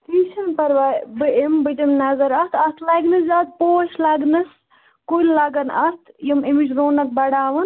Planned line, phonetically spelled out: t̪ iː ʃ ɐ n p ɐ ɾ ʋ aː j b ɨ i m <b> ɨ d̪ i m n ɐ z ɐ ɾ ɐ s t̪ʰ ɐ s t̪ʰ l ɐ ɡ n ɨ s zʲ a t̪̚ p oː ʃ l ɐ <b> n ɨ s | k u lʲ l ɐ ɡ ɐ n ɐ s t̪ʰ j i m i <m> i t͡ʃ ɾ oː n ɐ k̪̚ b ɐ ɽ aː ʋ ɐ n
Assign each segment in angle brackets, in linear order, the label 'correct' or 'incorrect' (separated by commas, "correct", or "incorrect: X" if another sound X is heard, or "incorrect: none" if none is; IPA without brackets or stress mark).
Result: correct, incorrect: ɡ, correct